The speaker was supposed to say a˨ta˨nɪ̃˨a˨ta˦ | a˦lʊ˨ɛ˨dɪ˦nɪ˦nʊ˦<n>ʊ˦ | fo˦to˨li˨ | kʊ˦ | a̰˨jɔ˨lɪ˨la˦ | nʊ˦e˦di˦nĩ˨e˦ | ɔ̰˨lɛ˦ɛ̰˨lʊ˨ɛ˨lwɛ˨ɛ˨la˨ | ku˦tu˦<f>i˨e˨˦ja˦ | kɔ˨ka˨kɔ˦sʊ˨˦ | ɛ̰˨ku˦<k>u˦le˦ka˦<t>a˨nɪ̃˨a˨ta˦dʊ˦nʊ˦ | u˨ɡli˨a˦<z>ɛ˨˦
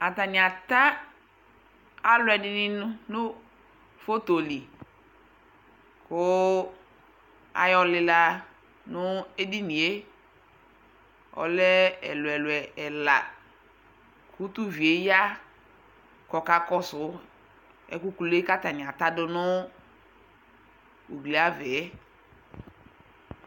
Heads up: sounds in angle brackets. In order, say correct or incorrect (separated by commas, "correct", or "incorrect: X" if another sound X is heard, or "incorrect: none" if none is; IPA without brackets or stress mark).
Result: correct, incorrect: v, correct, correct, incorrect: v